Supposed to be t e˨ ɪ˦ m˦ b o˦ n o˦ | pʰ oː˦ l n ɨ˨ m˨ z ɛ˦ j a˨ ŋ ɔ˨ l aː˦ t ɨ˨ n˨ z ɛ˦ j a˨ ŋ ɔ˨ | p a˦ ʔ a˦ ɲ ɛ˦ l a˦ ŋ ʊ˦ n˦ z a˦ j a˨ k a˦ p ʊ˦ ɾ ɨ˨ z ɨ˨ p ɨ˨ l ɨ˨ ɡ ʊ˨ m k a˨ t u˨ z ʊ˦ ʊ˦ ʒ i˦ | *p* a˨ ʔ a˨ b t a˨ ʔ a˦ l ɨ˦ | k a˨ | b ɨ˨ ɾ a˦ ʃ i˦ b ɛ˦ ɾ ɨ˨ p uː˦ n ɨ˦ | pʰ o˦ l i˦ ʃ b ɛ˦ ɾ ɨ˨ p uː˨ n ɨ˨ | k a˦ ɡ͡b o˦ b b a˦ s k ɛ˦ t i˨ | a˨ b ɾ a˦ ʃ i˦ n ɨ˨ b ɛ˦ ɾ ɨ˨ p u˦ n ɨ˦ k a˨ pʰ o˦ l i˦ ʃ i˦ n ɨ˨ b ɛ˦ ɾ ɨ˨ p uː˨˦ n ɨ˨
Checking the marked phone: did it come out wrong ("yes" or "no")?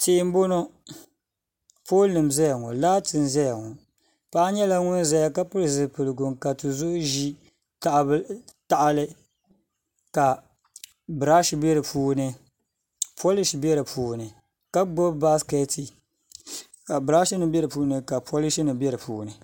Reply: yes